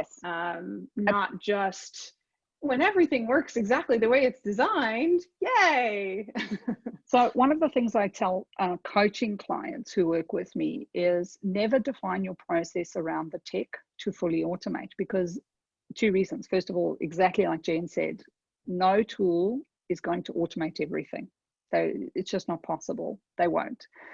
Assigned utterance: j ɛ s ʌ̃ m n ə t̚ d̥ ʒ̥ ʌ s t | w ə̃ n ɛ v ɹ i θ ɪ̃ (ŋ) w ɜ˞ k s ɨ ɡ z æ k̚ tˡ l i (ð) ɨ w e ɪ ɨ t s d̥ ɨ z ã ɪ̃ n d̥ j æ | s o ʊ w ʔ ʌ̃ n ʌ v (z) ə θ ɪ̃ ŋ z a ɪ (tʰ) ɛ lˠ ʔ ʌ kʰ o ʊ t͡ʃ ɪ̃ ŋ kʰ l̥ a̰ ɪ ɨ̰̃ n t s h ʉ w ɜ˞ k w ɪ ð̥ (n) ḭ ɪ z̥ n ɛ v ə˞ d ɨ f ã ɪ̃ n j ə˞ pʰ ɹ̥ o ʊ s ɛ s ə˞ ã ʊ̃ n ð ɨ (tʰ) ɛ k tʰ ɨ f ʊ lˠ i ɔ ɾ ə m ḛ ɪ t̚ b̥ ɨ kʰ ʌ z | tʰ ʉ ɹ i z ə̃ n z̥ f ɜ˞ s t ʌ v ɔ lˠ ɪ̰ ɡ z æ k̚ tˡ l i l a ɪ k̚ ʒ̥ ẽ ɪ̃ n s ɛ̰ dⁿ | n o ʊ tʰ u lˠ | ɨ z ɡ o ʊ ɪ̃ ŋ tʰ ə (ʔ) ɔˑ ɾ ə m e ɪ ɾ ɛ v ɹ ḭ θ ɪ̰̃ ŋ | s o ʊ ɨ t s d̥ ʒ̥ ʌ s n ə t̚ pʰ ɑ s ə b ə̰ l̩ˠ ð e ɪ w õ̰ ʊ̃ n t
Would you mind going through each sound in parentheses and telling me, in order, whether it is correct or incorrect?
correct, correct, incorrect: ð, correct, incorrect: m, correct, correct

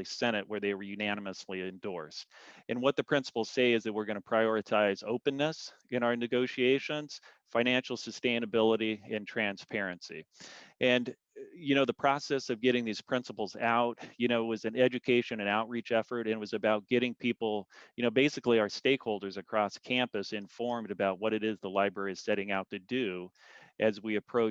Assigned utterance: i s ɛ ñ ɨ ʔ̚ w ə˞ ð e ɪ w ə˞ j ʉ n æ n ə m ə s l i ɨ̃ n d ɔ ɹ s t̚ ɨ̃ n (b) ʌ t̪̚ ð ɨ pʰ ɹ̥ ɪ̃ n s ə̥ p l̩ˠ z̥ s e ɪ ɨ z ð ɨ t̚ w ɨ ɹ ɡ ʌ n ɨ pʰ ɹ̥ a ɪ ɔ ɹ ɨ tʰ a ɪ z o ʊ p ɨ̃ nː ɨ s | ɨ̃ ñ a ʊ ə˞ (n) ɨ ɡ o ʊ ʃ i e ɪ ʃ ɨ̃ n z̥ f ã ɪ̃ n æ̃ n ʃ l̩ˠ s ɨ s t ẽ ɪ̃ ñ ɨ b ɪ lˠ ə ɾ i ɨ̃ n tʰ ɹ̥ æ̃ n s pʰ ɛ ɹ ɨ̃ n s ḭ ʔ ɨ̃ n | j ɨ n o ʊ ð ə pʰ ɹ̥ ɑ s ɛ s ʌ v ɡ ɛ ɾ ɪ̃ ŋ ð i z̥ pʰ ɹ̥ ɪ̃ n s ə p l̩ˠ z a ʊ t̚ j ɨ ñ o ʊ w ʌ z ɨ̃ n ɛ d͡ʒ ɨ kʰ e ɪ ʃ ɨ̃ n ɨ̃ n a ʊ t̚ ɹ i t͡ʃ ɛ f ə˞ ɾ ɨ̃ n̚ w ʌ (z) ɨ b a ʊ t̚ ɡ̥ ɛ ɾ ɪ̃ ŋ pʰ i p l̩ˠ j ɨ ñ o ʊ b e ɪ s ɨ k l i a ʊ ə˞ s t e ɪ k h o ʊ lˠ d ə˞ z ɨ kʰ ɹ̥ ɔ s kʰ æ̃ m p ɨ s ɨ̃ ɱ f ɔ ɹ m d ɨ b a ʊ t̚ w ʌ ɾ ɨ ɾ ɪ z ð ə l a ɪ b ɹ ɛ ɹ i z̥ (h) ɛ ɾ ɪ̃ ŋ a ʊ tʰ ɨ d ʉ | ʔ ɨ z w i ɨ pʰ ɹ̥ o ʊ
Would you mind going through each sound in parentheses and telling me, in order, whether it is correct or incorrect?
incorrect: w, correct, correct, incorrect: s

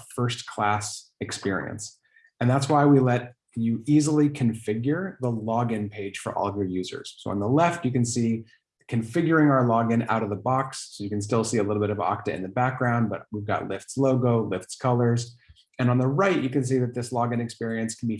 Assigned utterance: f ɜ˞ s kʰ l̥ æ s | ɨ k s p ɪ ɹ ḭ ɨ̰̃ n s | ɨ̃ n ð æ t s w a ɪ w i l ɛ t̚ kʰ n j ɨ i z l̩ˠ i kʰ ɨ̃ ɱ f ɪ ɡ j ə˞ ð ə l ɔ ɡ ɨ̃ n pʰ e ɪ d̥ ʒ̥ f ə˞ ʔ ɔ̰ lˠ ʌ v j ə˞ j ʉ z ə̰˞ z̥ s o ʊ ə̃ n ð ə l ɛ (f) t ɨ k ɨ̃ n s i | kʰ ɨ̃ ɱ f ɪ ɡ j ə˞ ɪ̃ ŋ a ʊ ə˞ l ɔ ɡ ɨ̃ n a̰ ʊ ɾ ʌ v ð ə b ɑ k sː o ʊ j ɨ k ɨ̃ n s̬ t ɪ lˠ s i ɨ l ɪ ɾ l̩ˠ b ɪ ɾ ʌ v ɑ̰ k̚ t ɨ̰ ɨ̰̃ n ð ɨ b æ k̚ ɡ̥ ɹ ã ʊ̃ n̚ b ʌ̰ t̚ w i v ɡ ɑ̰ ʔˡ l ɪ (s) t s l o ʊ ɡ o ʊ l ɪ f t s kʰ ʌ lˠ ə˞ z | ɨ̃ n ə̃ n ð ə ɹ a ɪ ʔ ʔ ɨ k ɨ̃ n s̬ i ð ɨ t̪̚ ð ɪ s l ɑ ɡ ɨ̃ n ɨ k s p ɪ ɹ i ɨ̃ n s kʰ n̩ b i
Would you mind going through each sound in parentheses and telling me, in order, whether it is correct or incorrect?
correct, incorrect: f

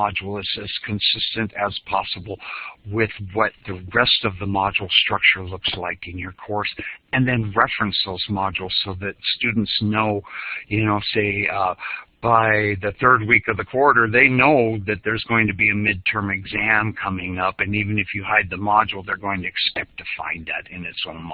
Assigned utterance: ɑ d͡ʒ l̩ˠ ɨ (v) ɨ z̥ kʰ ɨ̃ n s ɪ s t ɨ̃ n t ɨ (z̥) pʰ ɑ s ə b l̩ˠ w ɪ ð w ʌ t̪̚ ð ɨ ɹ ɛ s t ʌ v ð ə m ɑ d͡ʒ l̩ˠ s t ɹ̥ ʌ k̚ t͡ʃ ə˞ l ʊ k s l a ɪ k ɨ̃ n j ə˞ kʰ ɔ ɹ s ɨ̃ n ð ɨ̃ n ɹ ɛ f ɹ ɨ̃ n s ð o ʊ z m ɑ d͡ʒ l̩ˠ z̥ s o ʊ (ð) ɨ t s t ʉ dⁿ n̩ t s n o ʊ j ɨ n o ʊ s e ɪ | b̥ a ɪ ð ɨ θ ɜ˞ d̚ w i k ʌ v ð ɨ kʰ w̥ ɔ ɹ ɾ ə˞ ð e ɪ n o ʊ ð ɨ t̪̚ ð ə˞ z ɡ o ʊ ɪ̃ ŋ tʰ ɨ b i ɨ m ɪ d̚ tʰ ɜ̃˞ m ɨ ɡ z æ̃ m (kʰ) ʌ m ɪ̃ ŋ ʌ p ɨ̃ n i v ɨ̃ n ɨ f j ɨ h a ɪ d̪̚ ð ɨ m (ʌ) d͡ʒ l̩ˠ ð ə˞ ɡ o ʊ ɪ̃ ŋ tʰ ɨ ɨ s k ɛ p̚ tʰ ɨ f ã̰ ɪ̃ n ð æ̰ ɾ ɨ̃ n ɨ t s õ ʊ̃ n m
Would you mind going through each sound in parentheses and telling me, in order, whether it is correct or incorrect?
incorrect: z, correct, correct, correct, incorrect: ɑ

